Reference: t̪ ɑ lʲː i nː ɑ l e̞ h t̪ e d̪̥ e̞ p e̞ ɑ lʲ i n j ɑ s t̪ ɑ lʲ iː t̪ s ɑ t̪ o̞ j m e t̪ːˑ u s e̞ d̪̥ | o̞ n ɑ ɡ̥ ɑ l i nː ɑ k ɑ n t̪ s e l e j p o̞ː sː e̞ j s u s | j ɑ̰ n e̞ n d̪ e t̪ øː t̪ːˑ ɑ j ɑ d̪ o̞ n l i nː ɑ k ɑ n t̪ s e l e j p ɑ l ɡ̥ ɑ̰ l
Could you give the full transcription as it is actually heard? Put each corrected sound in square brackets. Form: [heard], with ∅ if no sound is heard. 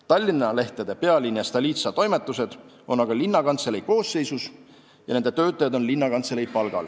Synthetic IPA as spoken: t̪ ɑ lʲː i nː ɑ l e̞ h t̪ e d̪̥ e̞ p e̞ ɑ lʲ i n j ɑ s t̪ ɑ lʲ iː t̪ s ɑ t̪ o̞ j m e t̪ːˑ u s e̞ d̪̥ | o̞ n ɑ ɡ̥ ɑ l i nː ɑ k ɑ n t̪ s e l e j [k] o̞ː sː e̞ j s u s | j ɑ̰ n e̞ n d̪ e t̪ øː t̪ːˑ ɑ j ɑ d̪ o̞ n l i nː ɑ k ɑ n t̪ s e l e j p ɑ l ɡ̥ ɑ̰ l